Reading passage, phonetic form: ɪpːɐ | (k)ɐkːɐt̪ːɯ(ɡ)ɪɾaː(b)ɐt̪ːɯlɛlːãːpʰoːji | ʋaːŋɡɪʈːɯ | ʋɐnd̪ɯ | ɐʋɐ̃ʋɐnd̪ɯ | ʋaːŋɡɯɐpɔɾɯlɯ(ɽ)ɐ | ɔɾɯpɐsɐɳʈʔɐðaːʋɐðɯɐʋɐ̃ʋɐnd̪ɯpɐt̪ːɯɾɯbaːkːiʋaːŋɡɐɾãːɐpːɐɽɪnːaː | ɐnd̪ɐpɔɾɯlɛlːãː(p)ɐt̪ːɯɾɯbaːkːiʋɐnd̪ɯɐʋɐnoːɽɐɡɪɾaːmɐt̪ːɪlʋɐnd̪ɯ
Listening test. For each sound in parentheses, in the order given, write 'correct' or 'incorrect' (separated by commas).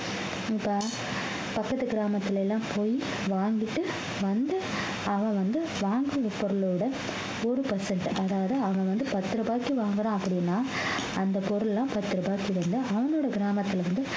incorrect, correct, incorrect, correct, correct